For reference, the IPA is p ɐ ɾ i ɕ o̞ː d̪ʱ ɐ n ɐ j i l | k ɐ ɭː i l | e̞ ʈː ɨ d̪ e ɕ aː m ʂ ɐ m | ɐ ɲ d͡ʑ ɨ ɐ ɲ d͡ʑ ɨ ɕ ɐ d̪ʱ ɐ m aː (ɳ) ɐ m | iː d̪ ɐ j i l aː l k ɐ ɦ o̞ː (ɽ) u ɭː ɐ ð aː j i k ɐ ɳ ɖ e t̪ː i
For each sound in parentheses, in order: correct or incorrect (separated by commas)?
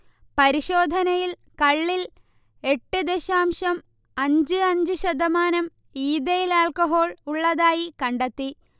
incorrect, incorrect